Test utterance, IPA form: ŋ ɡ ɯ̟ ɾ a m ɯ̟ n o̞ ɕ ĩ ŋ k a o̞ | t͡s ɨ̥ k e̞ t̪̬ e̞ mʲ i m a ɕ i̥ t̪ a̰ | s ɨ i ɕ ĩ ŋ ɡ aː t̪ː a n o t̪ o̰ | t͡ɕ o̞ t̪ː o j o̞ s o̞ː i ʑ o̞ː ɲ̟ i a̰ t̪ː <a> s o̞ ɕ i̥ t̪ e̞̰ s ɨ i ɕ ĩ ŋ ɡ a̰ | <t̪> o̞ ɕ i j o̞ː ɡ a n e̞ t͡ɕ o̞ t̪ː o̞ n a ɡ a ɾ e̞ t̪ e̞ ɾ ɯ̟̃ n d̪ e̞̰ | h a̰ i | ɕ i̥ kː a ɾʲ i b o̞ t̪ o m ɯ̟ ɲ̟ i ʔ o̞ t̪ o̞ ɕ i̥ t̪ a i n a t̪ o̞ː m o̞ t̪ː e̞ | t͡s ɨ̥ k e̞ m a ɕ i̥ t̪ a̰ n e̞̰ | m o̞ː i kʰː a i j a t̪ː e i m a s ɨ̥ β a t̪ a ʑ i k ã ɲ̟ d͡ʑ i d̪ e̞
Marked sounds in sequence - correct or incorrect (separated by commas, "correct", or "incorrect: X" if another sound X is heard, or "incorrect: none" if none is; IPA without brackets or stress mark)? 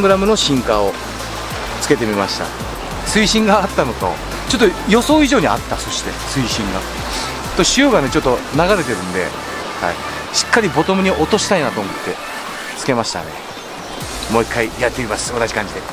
correct, correct